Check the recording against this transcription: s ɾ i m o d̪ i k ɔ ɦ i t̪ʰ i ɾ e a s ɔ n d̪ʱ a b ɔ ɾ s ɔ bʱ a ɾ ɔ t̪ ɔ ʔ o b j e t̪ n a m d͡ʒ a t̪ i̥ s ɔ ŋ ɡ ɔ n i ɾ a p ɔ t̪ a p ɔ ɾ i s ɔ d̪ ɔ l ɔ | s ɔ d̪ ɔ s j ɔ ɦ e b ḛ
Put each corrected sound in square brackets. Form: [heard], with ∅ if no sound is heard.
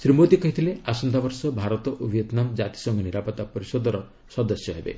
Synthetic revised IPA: s ɾ i m o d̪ i k ɔ ɦ i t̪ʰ i [l] e a s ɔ n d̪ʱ a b ɔ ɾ s ɔ bʱ a ɾ ɔ t̪ ɔ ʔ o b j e t̪ n a m d͡ʒ a t̪ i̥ s ɔ ŋ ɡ ɔ n i ɾ a p ɔ t̪ a p ɔ ɾ i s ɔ d̪ ɔ [ɾ] ɔ | s ɔ d̪ ɔ s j ɔ ɦ e b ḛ

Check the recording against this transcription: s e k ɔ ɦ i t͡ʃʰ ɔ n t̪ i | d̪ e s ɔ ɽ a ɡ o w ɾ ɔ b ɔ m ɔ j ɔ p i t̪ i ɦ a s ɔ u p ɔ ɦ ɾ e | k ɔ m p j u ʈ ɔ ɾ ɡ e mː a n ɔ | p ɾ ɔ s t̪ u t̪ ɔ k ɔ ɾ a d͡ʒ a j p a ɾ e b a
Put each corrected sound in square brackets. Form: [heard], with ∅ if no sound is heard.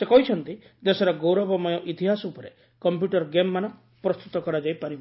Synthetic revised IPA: s e k ɔ ɦ i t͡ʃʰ ɔ n t̪ i | d̪ e s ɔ [ɾ] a ɡ o w ɾ ɔ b ɔ m ɔ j ɔ [ʔ] i t̪ i ɦ a s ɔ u p ɔ [∅] ɾ e | k ɔ m p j u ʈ ɔ ɾ ɡ e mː a n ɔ | p ɾ ɔ s t̪ u t̪ ɔ k ɔ ɾ a d͡ʒ a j p a ɾ [i] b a

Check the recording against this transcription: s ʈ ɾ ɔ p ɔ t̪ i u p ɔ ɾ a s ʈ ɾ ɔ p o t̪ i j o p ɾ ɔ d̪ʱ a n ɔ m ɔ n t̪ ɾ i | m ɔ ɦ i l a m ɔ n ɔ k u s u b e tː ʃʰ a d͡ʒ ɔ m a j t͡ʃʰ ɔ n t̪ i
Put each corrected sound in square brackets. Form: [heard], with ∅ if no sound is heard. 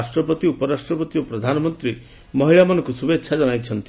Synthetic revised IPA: s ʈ ɾ ɔ p ɔ t̪ i u p ɔ ɾ a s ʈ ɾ ɔ p [ɔ] t̪ i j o p ɾ ɔ d̪ʱ a n ɔ m ɔ n t̪ ɾ i | m ɔ ɦ i [ɭ] a m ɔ n ɔ k u s u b e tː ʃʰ a d͡ʒ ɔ [n] a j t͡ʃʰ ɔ n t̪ i

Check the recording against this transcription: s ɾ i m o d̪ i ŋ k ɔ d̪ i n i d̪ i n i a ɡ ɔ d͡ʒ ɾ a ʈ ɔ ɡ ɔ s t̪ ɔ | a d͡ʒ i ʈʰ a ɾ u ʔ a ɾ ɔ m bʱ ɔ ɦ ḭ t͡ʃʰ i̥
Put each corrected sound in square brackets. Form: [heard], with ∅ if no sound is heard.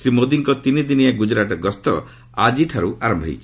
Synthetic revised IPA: s ɾ i m o d̪ i ŋ k ɔ [t̪] i n i d̪ i n i a ɡ [u] d͡ʒ ɾ a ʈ ɔ ɡ ɔ s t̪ ɔ | a d͡ʒ i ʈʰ a ɾ u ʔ a ɾ ɔ m bʱ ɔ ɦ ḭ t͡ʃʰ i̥

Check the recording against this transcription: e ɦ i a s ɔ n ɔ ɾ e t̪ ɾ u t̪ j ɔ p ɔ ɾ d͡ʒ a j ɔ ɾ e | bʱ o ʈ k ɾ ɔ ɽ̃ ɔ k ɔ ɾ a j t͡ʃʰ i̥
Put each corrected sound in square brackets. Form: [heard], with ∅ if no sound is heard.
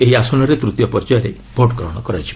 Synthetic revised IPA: e ɦ i a s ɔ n ɔ ɾ e t̪ ɾ u t̪ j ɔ p ɔ ɾ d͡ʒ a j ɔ ɾ e | bʱ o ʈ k ɾ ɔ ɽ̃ ɔ k ɔ ɾ a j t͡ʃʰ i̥

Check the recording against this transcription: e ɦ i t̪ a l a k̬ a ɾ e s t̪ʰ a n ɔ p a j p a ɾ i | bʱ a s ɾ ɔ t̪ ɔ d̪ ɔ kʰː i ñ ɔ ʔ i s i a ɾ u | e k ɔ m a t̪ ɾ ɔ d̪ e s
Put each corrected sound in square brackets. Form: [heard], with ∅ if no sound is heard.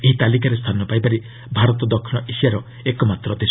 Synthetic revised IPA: e ɦ i t̪ a l [i] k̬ a ɾ e s t̪ʰ a n ɔ p a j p a ɾ i | bʱ a [∅] ɾ ɔ t̪ ɔ d̪ ɔ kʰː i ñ ɔ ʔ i s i a ɾ [ɔ] | e k ɔ m a t̪ ɾ ɔ d̪ e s

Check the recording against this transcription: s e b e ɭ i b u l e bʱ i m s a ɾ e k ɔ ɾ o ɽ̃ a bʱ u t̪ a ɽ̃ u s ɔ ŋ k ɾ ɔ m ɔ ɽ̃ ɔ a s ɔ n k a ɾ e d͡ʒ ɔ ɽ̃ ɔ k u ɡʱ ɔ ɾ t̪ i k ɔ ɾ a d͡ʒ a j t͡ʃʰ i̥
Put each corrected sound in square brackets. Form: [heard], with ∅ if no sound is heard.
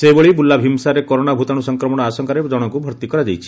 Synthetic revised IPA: s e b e ɭ i b u l [a] bʱ i m s a ɾ e k ɔ ɾ o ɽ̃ a bʱ u t̪ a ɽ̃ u s ɔ ŋ k ɾ ɔ m ɔ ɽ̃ ɔ a s ɔ [ŋ] k a ɾ e d͡ʒ ɔ ɽ̃ ɔ k u [bʱ] ɔ ɾ t̪ i k ɔ ɾ a d͡ʒ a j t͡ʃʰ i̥

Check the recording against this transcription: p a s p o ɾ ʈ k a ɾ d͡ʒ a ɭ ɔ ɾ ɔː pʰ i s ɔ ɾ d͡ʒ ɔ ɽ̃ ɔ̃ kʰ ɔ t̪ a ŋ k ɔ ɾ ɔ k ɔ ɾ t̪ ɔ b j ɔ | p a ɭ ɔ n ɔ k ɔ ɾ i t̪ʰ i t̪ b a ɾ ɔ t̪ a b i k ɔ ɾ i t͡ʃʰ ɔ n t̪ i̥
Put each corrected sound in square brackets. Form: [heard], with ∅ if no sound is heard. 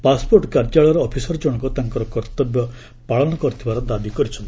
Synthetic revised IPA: p a s p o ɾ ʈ k a ɾ d͡ʒ a ɭ ɔ ɾ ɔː pʰ i s ɔ ɾ d͡ʒ ɔ ɽ̃ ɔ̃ [k] ɔ t̪ a ŋ k ɔ ɾ ɔ k ɔ ɾ t̪ ɔ b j ɔ | p a ɭ ɔ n ɔ k ɔ ɾ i t̪ʰ i [∅] b a ɾ ɔ [d̪] a b i k ɔ ɾ i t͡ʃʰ ɔ n t̪ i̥

